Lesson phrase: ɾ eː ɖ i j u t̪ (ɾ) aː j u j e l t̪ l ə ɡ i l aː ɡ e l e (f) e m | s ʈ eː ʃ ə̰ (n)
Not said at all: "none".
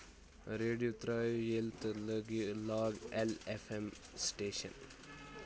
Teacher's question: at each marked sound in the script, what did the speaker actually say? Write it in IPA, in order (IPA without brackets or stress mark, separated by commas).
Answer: ɾ, f, n